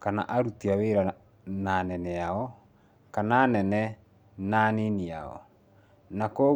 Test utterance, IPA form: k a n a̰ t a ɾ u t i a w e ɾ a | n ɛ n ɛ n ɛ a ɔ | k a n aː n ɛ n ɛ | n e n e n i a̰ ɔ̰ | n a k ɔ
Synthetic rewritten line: k a n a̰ ʔ a ɾ u t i a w e ɾ a | n a n ɛ n ɛ a ɔ | k a n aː n ɛ n ɛ | n a n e n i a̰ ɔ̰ | n a k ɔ

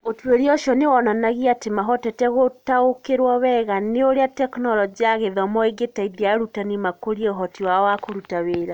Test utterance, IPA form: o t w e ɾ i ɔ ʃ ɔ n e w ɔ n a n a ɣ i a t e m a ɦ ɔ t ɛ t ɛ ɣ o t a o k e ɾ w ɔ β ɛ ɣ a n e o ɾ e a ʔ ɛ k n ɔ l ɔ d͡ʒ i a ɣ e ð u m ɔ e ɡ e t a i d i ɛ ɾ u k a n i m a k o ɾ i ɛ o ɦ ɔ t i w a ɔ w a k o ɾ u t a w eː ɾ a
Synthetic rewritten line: o t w e ɾ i ɔ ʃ ɔ n e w ɔ n a n a ɣ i a t e m a ɦ ɔ t ɛ t ɛ ɣ o t a o k e ɾ w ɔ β ɛ ɣ a n e o ɾ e a t ɛ k n ɔ l ɔ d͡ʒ i a ɣ e ð ɔ m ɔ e ɡ e t a i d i a ɾ u t a n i m a k o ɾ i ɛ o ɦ ɔ t i w a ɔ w a k o ɾ u t a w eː ɾ a

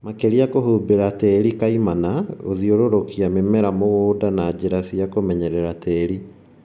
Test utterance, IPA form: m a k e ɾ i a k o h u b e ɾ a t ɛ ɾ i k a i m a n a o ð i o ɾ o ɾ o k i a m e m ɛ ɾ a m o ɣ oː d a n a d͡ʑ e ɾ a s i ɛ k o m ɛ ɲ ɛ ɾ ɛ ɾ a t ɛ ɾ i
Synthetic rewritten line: m a k e ɾ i a k o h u b e ɾ a t ɛ ɾ i k a i m a n a o ð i o ɾ o ɾ o k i a m e m ɛ ɾ a m o ɣ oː d a n a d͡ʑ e ɾ a s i a k o m ɛ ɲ ɛ ɾ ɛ ɾ a t ɛ ɾ i

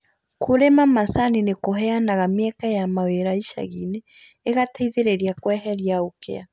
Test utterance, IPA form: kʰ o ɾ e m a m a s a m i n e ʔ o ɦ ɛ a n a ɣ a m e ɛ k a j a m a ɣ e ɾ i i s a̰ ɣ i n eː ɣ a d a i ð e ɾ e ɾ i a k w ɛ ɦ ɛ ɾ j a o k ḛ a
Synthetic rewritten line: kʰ o ɾ e m a m a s a n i n e k o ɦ ɛ a n a ɣ a m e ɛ k a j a m a w e ɾ a i ʃ a̰ ɣ i n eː ɣ a t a i ð e ɾ e ɾ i a k w ɛ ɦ ɛ ɾ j a o k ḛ a

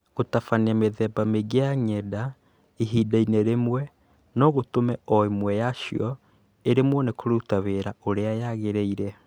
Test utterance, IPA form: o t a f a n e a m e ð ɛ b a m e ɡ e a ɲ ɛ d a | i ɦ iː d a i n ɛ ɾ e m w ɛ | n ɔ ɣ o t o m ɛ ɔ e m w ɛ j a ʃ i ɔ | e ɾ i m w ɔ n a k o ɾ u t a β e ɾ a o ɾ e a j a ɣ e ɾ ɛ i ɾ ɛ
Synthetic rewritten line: o t a f a n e a m e ð ɛ b a m e ɡ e a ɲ ɛ d a | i ɦ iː d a i n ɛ ɾ e m w ɛ | n ɔ ɣ o t o m ɛ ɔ e m w ɛ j a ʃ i ɔ | e ɾ e m w ɔ n e k o ɾ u t a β e ɾ a o ɾ e a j a ɣ e ɾ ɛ i ɾ ɛ

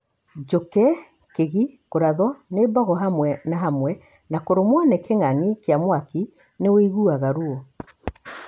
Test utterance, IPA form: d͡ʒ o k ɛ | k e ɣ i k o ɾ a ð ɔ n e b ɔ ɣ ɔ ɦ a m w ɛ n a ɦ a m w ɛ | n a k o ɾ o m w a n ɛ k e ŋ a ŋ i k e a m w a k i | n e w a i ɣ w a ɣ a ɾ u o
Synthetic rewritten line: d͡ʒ o k ɛ | k e ɣ i k o ɾ a ð ɔ n e b ɔ ɣ ɔ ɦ a m w ɛ n a ɦ a m w ɛ | n a k o ɾ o m w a n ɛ k e ŋ a ŋ i k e a m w a k i | n e w e i ɣ u a ɣ a ɾ u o

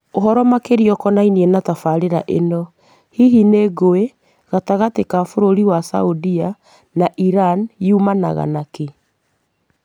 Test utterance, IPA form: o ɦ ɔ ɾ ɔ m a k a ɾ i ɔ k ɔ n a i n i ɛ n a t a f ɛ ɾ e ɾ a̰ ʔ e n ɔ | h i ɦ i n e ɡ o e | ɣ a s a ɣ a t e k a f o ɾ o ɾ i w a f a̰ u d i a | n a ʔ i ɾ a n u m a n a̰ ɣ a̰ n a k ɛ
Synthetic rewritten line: o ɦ ɔ ɾ ɔ m a k e ɾ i ɔ k ɔ n a i n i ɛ n a t a f a ɾ e ɾ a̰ ʔ e n ɔ | h i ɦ i n e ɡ o e | ɣ a t a ɣ a t e k a f o ɾ o ɾ i w a s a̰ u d i a | n a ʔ i ɾ a n u m a n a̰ ɣ a̰ n a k e

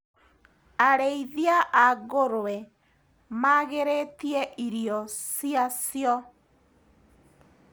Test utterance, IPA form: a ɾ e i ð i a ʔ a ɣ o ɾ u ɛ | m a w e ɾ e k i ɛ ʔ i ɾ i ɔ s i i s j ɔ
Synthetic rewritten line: a ɾ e i ð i a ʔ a ɣ o ɾ w ɛ | m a ɣ e ɾ e t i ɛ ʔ i ɾ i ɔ s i a s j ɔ

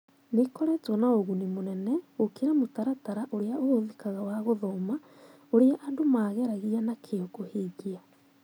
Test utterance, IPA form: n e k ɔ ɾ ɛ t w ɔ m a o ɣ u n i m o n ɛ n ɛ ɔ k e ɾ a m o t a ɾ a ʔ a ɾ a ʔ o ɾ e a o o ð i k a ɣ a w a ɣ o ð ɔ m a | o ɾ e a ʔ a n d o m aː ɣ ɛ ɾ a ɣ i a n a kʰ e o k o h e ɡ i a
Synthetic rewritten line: n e k ɔ ɾ ɛ t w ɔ n a o ɣ u n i m o n ɛ n ɛ o k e ɾ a m o t a ɾ a t a ɾ a ʔ o ɾ e a o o ð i k a ɣ a w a ɣ o ð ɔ m a | o ɾ e a ʔ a n d o m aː ɣ ɛ ɾ a ɣ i a n a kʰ e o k o h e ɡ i a

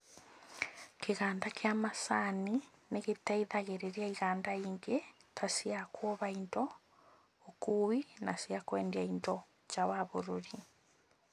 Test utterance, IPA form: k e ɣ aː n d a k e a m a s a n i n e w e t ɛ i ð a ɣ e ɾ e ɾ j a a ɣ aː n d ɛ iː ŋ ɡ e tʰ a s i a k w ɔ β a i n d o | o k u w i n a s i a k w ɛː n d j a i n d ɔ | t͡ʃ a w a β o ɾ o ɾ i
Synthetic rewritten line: k e ɣ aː n d a k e a m a s a n i n e ɣ e t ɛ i ð a ɣ e ɾ e ɾ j a i ɣ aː n d a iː ŋ ɡ e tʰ a s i a k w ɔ β a i n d ɔ | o k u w i n a s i a k w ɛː n d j a i n d ɔ | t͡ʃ a w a β o ɾ o ɾ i

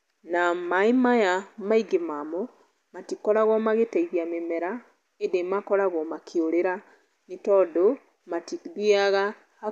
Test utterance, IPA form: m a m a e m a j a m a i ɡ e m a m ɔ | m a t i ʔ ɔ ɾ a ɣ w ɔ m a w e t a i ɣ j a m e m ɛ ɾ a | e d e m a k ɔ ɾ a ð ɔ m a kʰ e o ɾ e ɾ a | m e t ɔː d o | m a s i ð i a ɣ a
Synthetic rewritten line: n a m a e m a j a m a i ɡ e m a m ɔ | m a t i k ɔ ɾ a ɣ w ɔ m a ɣ e t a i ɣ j a m e m ɛ ɾ a | e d e m a k ɔ ɾ a ɣ ɔ m a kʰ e o ɾ e ɾ a | n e t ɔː d o | m a t i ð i a ɣ a

